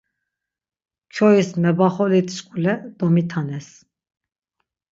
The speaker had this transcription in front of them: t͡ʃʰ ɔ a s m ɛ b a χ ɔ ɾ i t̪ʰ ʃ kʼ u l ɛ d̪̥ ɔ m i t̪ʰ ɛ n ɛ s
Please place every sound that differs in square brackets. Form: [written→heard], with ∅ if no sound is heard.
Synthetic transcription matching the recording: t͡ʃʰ ɔ [a→i] s m ɛ b a χ ɔ [ɾ→l] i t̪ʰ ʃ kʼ u l ɛ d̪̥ ɔ m i t̪ʰ [ɛ→a] n ɛ s